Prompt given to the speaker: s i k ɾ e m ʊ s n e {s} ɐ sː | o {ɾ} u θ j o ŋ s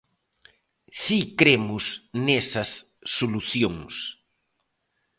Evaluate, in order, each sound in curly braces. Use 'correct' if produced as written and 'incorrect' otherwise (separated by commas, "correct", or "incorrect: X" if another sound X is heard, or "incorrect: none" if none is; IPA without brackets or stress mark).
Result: correct, incorrect: l